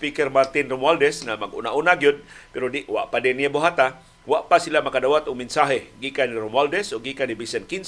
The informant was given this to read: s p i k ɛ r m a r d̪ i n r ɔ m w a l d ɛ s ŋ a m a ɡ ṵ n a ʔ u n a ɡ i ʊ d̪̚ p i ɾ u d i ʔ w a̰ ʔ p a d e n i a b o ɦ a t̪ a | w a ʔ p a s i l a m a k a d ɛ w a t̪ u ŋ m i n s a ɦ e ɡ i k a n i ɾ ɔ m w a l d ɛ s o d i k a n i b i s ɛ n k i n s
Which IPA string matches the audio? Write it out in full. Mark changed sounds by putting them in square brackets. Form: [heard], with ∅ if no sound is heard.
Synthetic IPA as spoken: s p i k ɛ r m a r [t̪] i n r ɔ m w a l d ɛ s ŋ a m a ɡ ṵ n a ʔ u n a ɡ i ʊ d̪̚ p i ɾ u d i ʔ w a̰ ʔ p a d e n i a b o ɦ a t̪ a | w a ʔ p a s i l a m a k a d [a] w a t̪ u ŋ m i n s a ɦ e ɡ i k a n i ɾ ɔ m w a l d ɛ s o [ɡ] i k a n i b i s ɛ n k i n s